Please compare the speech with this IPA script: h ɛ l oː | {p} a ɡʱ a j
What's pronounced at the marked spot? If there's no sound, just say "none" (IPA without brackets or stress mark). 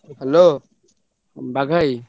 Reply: b